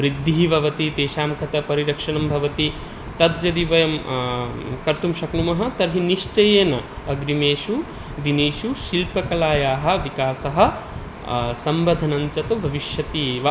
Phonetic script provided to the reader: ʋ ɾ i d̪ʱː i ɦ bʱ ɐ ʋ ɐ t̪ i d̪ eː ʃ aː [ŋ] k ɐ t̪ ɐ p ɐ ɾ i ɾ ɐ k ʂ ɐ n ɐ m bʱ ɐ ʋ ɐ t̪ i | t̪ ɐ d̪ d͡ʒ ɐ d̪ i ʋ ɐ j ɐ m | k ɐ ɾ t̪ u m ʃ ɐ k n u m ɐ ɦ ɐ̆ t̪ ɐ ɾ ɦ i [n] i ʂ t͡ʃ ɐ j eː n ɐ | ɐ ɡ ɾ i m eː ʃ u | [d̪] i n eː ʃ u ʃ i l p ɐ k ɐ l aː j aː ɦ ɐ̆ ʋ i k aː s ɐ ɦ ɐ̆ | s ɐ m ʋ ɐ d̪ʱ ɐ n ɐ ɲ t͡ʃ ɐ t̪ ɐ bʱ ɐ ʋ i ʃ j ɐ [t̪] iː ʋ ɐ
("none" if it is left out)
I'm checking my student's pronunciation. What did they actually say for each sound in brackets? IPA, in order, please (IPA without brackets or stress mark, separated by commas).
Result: m, n, d̪, t̪